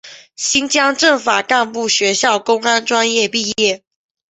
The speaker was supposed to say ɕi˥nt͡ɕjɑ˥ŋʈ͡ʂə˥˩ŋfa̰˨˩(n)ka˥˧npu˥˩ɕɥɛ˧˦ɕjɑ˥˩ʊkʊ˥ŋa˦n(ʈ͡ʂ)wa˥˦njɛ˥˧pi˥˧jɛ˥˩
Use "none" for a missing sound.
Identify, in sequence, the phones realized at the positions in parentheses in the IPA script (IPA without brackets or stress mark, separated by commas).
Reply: none, ʈ͡ʂ